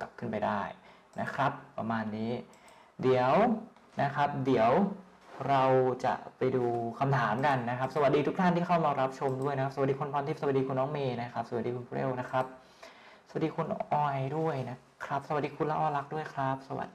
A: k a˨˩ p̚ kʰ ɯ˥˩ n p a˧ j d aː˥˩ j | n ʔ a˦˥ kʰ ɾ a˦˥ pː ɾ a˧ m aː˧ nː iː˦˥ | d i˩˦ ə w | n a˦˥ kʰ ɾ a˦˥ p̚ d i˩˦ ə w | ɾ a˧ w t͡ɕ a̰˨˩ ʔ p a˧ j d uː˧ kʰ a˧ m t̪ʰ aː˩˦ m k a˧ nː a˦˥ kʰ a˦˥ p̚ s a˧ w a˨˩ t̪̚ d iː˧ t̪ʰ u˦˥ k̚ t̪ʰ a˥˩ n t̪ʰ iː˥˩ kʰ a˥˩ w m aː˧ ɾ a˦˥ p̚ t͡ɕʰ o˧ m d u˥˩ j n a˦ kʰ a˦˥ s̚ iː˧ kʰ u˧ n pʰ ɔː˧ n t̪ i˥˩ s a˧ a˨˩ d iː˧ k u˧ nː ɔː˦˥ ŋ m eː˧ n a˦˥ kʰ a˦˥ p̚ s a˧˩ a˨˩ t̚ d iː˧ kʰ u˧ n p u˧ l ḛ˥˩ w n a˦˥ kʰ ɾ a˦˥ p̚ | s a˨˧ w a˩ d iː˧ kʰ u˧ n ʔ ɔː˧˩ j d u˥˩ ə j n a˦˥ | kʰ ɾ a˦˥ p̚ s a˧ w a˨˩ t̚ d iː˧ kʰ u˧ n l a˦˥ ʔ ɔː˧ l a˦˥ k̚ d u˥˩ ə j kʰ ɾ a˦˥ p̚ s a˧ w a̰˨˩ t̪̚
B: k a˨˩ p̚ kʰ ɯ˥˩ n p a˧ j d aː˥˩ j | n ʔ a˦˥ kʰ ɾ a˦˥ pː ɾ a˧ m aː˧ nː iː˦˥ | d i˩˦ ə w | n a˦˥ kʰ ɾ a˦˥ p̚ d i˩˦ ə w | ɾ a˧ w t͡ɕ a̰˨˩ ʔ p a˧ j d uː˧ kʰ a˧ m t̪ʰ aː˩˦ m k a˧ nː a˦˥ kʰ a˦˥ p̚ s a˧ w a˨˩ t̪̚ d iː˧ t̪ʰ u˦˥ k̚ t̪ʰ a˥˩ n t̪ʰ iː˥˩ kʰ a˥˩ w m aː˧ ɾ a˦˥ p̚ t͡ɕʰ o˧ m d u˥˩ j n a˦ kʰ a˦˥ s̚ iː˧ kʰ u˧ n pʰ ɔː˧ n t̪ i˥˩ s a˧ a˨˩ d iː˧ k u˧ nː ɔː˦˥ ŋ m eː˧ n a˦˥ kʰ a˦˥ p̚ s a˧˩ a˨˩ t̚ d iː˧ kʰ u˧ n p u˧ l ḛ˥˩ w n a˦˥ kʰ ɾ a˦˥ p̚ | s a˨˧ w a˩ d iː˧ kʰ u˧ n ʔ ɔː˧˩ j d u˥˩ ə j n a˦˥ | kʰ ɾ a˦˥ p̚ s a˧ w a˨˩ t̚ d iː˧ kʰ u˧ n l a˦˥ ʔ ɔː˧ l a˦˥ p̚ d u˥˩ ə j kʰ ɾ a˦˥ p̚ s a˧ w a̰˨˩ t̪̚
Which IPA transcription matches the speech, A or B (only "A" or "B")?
A